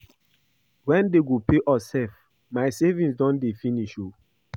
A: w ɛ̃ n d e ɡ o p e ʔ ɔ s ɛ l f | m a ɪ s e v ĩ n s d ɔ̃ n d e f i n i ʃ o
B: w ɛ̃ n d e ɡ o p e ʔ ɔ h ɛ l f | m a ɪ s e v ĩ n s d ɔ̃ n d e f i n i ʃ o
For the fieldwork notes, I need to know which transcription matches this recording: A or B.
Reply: A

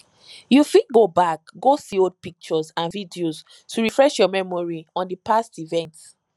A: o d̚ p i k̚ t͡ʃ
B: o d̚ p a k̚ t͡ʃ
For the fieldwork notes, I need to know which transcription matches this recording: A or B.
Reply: A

